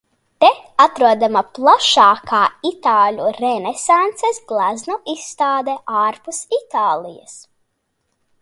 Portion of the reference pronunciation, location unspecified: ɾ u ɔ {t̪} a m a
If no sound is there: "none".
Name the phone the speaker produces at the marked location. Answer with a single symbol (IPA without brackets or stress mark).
d̪